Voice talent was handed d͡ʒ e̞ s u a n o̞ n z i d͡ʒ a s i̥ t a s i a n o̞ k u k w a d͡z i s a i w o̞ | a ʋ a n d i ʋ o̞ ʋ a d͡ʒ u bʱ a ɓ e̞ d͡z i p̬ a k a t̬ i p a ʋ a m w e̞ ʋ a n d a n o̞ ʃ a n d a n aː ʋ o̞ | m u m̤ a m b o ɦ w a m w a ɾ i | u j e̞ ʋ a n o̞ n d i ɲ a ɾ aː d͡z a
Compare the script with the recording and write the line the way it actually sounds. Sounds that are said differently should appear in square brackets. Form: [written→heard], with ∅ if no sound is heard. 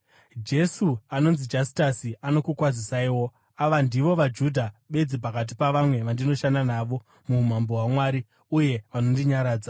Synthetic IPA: d͡ʒ e̞ s u a n o̞ n z i d͡ʒ a s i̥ t a s i a n o̞ k u k w a d͡z i s a i w o̞ | a ʋ a n d i ʋ o̞ ʋ a d͡ʒ u [bʱ→dʱ] a ɓ e̞ d͡z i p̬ a k a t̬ i p a ʋ a m w e̞ ʋ a n d [a→i] n o̞ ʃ a n d a n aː ʋ o̞ | m u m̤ a m b o ɦ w a m w a ɾ i | u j e̞ ʋ a n o̞ n d i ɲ a ɾ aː d͡z a